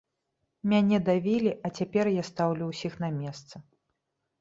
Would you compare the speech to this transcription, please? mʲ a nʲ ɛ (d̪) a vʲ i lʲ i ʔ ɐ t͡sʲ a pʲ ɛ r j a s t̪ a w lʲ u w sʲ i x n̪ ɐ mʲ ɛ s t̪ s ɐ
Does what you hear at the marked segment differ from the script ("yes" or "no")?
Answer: no